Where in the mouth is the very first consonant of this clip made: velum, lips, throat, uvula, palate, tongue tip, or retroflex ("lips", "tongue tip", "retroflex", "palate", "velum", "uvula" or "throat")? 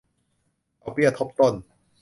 throat